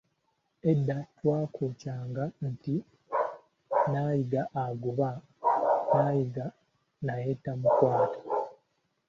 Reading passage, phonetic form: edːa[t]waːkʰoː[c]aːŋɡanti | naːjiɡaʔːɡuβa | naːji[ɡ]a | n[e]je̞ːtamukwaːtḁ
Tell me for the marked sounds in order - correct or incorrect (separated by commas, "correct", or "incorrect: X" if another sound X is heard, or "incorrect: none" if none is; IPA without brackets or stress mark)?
correct, correct, correct, incorrect: a